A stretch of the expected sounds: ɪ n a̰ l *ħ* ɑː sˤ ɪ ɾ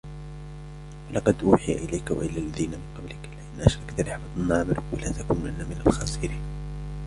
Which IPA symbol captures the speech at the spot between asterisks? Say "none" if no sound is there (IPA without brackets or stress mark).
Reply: x